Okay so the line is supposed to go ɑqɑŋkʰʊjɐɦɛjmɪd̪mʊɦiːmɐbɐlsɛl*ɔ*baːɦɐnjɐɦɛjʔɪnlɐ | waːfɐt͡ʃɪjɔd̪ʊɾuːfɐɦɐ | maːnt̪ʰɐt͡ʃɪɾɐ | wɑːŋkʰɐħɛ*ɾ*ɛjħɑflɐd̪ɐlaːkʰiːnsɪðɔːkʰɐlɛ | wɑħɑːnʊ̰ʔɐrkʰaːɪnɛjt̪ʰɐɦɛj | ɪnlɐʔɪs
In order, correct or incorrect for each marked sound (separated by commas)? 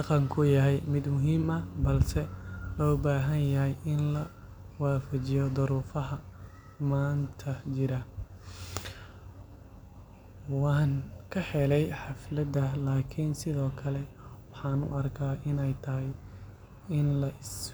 incorrect, incorrect